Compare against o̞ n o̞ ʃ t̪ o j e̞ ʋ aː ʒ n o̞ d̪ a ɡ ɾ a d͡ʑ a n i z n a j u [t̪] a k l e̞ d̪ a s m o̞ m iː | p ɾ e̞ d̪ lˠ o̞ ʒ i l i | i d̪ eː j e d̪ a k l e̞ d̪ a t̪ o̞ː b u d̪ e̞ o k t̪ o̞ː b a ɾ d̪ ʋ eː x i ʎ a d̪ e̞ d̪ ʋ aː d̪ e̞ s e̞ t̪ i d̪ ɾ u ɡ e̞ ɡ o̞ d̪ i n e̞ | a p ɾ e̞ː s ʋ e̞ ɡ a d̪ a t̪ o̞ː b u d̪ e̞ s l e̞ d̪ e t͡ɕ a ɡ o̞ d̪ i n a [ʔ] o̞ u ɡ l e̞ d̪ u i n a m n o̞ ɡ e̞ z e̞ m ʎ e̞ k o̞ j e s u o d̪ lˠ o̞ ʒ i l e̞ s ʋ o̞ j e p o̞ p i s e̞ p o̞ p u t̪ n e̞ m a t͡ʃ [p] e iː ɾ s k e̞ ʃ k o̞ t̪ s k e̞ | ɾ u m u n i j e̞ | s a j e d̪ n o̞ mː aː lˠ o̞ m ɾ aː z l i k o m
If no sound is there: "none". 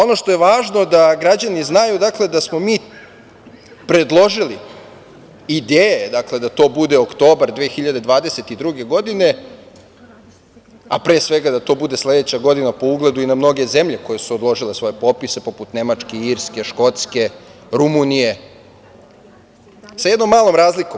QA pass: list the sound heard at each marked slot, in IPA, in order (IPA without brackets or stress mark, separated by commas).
d̪, p, k